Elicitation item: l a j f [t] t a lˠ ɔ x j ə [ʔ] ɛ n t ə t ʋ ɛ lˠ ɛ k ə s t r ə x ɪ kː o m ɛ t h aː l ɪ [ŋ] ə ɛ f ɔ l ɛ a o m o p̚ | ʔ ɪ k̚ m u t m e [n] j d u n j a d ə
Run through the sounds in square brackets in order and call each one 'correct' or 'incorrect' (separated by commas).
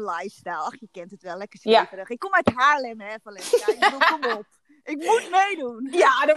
incorrect, incorrect, incorrect, incorrect